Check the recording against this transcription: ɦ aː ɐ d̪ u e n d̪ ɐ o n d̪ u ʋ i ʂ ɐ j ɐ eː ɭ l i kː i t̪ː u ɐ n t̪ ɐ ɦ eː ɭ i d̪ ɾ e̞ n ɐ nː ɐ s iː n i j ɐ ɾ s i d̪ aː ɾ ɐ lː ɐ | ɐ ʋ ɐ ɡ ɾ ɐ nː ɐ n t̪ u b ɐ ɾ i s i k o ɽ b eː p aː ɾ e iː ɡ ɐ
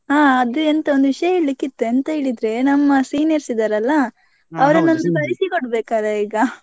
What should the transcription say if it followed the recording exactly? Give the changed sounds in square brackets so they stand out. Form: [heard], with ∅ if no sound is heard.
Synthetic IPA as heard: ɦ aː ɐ d̪ u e n [t̪] ɐ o n d̪ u ʋ i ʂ ɐ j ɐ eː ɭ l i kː i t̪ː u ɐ n t̪ ɐ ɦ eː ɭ i d̪ ɾ e̞ n ɐ [mː] ɐ s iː n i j ɐ ɾ s i d̪ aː ɾ ɐ lː ɐ | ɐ ʋ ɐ [∅] ɾ ɐ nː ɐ n [d̪] u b ɐ ɾ i s i k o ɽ b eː [k] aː ɾ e iː ɡ ɐ